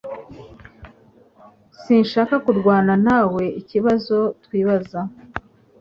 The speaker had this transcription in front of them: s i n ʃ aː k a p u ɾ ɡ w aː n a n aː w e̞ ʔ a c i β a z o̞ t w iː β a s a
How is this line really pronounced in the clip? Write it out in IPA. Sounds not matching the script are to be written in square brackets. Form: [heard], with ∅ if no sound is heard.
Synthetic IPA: s i n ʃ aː k a [k] u ɾ ɡ w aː n a n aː w e̞ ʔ [i] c i β a z o̞ t w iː β a [z] a